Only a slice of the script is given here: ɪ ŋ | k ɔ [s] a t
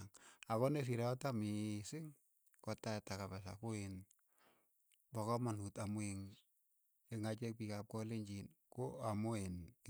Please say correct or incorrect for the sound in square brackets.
incorrect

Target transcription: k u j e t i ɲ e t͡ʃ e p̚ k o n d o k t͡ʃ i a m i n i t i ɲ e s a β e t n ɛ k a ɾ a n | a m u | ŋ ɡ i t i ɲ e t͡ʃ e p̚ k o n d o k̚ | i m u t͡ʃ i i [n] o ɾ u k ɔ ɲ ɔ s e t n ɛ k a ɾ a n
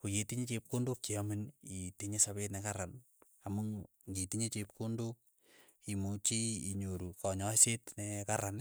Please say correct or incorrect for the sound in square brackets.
incorrect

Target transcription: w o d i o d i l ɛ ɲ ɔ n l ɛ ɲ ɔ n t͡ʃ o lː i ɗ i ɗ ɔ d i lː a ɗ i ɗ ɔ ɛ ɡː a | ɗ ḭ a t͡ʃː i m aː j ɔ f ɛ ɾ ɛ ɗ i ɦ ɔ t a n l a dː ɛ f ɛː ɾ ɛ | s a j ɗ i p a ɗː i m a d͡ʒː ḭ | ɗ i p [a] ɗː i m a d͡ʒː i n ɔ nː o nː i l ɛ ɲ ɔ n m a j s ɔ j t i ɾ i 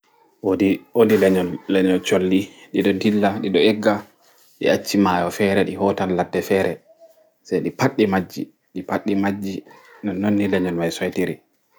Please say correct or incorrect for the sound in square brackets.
correct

